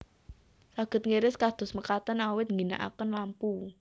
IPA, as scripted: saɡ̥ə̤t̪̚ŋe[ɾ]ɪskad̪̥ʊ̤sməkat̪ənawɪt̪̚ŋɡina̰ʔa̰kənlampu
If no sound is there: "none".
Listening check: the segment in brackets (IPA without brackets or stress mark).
ɾ